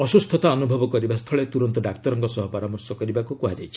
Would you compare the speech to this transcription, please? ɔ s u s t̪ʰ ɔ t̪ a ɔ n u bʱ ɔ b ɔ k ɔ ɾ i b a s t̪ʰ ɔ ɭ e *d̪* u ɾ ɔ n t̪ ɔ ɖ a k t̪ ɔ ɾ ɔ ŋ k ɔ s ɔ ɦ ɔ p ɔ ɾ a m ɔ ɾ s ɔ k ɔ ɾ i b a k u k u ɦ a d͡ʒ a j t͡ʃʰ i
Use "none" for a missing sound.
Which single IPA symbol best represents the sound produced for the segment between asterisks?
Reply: t̪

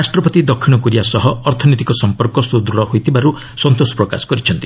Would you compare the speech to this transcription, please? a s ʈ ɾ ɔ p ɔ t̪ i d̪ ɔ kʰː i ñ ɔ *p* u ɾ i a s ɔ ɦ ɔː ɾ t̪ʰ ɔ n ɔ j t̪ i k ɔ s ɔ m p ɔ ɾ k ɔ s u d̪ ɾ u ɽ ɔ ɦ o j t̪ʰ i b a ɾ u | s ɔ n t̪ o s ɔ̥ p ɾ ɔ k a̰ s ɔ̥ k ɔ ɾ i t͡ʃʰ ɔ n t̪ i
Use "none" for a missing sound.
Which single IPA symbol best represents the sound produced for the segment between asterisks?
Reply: k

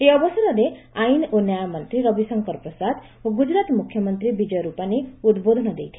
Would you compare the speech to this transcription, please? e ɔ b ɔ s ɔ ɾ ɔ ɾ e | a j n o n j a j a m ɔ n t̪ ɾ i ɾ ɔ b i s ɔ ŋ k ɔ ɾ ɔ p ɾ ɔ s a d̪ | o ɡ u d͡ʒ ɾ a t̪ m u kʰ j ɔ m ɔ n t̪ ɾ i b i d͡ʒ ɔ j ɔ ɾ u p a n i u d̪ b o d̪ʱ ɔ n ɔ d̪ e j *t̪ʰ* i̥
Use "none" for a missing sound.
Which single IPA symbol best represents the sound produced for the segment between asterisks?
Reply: t̪ʰ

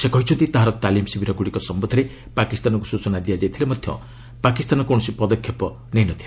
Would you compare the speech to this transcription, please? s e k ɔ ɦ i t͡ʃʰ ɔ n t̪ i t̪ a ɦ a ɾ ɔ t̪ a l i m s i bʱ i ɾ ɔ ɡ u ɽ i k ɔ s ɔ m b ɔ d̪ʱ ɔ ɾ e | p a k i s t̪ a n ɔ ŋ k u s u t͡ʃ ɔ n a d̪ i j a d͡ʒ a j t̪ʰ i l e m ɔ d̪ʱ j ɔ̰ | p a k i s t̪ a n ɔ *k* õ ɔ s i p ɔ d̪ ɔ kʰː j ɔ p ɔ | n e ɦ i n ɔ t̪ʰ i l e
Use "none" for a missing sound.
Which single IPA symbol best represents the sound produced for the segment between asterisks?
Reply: k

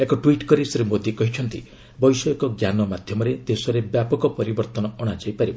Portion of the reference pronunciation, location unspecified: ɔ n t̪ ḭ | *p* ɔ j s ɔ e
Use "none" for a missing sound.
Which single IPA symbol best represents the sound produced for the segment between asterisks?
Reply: b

